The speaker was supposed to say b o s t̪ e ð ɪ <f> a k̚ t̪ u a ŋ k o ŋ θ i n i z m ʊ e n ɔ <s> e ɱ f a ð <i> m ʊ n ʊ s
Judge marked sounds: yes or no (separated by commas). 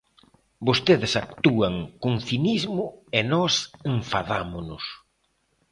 no, yes, no